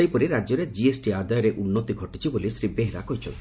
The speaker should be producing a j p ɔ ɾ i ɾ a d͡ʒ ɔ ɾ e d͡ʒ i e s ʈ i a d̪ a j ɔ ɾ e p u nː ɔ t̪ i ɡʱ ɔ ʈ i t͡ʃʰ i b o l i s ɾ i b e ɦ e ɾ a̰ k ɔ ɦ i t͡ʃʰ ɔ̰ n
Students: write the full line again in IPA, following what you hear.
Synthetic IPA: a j p ɔ ɾ i ɾ a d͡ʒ ɔ ɾ e d͡ʒ i e s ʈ i a d̪ a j ɔ ɾ e ʔ u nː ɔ t̪ i ɡʱ ɔ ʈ i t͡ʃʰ i b o l i s ɾ i b e ɦ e ɾ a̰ k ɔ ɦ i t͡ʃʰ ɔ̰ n